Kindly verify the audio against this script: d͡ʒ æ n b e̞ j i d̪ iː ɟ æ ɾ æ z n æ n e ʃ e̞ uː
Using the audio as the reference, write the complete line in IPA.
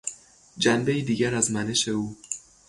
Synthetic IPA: d͡ʒ æ n b e̞ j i d̪ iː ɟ æ ɾ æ z m æ n e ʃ e̞ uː